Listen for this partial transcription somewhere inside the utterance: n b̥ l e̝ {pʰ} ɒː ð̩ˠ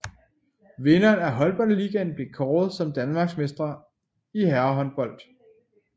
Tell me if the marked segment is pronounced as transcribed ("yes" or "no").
no